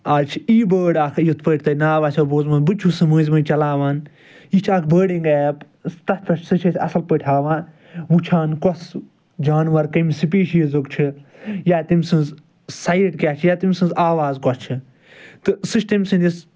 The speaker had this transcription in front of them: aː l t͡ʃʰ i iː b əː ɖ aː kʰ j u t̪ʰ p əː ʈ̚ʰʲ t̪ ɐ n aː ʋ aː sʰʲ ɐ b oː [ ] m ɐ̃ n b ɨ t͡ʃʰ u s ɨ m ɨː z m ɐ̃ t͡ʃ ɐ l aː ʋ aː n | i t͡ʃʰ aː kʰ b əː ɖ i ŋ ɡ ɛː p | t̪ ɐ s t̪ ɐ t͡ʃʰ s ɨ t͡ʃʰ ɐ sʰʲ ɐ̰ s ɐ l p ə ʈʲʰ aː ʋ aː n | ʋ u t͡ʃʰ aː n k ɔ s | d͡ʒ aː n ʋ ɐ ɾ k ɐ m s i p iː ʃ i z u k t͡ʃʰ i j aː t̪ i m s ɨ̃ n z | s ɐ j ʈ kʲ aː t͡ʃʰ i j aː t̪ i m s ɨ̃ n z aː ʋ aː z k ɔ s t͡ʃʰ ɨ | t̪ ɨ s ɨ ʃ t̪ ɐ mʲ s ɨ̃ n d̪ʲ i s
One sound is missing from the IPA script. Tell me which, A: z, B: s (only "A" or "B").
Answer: A